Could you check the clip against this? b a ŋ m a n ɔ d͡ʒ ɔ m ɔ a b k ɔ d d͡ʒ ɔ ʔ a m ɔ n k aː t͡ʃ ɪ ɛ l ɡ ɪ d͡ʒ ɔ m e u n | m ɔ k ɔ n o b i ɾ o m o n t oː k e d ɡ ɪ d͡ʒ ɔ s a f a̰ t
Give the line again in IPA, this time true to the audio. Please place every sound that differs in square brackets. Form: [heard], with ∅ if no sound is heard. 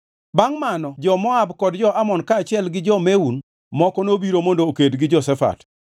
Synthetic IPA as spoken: b a ŋ m a n ɔ d͡ʒ ɔ m ɔ a b k ɔ d d͡ʒ ɔ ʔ a m ɔ n k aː t͡ʃ ɪ ɛ l ɡ ɪ d͡ʒ ɔ m e u n | m ɔ k ɔ n o b i ɾ o m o n [d] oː k e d ɡ ɪ d͡ʒ ɔ s [ɛ] f a̰ t